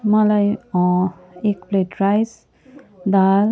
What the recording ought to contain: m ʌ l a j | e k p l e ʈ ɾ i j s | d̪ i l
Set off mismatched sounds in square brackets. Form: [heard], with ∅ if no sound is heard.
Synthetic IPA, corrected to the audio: m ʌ l a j | e k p l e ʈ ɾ [a] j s | d̪ [a] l